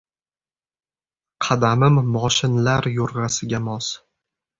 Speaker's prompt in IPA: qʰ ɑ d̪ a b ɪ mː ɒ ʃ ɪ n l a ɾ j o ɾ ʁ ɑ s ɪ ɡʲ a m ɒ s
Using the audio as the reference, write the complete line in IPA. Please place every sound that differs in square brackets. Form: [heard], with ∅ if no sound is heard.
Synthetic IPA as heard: qʰ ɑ d̪ a [m] ɪ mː ɒ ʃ ɪ n l a ɾ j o ɾ ʁ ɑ s ɪ ɡʲ a m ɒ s